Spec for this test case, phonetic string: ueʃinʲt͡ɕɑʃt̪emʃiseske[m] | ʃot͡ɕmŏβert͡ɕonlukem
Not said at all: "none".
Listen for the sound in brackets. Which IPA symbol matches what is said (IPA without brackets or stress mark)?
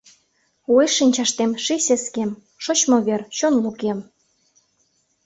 m